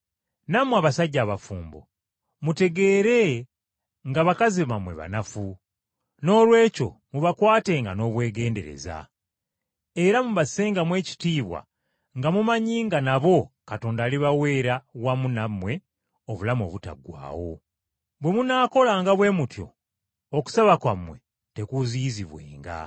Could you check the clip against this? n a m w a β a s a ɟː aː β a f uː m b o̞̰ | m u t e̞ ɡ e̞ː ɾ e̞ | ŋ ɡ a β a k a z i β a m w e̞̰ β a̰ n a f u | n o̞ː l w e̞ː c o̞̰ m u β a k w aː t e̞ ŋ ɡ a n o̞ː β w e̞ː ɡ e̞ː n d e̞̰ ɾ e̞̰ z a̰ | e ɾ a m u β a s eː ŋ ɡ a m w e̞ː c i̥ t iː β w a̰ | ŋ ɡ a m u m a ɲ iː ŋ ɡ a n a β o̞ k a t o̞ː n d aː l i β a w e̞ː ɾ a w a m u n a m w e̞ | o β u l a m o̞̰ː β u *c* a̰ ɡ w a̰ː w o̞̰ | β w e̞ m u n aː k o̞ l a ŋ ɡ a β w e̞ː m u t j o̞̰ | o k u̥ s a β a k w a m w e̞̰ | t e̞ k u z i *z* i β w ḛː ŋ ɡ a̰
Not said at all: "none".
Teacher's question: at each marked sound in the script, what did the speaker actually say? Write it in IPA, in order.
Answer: t, z

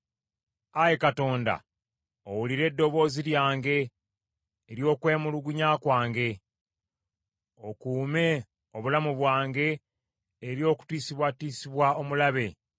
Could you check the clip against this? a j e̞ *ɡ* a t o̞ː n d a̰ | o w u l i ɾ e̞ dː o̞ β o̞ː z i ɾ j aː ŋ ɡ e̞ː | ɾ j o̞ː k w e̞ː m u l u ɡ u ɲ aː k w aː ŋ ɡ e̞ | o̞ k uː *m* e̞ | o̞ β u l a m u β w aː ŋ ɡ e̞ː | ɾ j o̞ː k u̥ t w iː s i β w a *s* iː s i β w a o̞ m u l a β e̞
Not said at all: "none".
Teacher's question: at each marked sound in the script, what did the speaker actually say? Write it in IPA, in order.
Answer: k, m, t

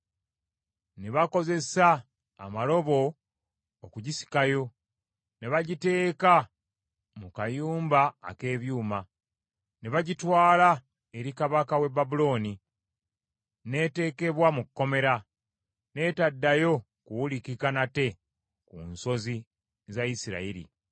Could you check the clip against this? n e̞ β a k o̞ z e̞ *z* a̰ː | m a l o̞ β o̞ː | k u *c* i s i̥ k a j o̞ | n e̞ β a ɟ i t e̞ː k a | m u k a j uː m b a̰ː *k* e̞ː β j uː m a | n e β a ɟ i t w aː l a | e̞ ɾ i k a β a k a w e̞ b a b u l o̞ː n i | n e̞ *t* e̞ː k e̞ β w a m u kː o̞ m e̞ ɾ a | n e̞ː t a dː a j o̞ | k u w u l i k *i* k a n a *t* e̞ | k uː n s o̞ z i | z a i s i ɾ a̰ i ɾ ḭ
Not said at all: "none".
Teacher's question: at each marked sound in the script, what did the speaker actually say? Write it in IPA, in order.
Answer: s, ɟ, k, t, i, t

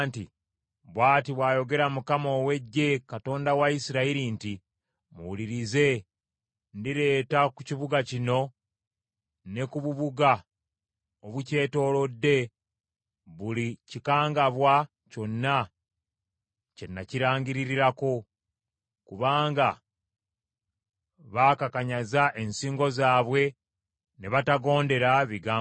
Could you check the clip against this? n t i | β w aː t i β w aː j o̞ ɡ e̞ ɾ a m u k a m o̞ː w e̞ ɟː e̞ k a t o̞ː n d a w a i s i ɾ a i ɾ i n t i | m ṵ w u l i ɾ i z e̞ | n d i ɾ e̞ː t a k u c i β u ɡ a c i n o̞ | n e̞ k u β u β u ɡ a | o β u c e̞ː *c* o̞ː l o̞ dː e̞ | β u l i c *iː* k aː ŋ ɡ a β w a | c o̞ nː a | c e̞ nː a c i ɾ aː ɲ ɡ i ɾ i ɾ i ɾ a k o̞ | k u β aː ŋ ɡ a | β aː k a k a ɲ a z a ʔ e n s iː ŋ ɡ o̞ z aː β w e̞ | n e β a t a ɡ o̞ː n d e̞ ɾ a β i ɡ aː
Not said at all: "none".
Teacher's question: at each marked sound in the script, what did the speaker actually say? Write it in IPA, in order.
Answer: t, i

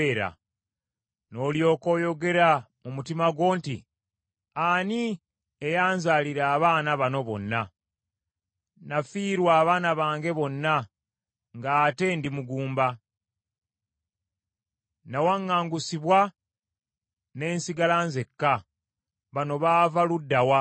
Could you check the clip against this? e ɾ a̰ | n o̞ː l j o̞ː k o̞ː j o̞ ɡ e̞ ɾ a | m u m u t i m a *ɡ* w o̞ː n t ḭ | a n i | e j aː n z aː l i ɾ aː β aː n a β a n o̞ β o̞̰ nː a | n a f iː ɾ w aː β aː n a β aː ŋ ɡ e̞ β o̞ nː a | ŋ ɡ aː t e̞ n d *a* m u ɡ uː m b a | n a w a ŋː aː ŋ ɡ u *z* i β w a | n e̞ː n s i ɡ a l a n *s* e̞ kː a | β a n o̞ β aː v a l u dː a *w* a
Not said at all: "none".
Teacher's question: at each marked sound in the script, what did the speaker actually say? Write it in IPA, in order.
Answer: ɡ, i, s, z, w

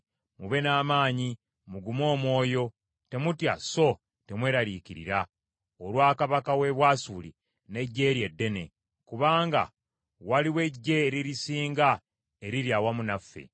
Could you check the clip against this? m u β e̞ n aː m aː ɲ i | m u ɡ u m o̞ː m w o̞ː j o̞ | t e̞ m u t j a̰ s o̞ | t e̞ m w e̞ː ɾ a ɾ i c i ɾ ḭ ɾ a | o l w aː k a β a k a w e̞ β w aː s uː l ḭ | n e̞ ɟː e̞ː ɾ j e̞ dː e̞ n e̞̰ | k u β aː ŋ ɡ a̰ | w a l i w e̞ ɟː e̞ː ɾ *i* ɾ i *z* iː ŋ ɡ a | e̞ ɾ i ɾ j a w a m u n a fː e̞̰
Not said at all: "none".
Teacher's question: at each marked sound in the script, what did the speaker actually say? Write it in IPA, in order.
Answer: i, s

